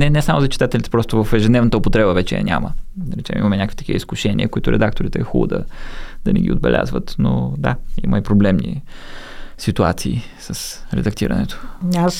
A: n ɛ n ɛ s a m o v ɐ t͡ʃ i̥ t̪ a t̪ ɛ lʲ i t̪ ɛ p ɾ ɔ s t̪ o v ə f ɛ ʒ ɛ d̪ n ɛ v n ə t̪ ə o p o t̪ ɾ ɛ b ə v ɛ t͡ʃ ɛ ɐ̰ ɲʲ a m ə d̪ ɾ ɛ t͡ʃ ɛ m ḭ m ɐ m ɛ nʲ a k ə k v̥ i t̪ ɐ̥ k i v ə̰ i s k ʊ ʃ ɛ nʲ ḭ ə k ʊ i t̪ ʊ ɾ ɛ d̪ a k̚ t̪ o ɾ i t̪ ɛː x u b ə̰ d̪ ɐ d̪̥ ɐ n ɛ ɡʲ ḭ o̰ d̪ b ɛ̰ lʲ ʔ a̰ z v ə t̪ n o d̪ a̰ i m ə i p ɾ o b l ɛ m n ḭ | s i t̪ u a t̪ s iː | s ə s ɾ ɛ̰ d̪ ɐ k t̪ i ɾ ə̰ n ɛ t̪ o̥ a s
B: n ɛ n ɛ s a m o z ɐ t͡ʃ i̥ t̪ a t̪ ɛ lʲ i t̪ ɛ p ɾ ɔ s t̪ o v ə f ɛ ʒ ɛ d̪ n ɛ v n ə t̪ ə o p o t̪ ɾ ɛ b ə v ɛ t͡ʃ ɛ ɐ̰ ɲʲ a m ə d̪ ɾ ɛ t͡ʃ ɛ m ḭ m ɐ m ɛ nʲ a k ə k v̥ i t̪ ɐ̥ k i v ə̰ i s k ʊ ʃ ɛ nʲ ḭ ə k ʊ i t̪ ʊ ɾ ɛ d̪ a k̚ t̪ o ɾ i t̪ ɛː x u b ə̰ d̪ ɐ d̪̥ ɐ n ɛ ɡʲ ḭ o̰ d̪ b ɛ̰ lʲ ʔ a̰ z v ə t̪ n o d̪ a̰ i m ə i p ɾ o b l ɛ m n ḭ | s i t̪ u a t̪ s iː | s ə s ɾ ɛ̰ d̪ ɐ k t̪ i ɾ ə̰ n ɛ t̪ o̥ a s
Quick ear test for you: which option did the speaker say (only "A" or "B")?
B